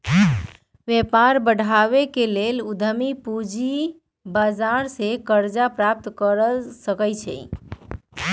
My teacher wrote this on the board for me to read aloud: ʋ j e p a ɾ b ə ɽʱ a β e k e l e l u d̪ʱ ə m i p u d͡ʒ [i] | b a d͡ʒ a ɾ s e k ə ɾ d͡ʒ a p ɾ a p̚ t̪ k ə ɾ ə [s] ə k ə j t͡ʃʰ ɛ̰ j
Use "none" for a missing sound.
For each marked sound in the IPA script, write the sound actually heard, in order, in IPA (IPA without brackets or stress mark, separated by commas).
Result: i, s